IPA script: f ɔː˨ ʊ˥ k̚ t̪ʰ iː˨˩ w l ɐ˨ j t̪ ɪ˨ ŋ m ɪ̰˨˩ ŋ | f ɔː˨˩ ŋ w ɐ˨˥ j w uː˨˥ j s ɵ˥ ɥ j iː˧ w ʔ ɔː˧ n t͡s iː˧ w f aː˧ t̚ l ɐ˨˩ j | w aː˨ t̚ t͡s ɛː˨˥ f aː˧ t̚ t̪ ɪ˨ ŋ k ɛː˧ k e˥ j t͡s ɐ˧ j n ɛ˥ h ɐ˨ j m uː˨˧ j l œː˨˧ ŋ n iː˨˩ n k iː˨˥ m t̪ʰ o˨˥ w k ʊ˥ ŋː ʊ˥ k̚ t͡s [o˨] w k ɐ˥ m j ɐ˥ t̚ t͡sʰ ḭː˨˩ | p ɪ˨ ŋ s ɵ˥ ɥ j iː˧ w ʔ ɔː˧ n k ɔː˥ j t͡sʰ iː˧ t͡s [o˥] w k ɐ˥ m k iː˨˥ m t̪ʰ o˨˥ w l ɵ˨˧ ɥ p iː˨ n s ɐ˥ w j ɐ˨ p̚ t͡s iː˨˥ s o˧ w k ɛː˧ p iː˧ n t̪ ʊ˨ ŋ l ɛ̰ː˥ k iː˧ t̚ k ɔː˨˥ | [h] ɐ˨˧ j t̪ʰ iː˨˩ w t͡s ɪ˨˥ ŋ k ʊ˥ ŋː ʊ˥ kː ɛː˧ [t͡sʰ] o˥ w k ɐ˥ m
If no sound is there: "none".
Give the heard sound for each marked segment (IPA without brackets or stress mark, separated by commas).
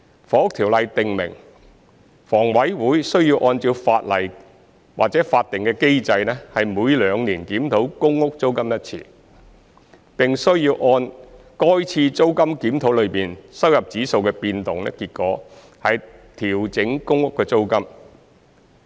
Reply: o˥, o˥, h, t͡s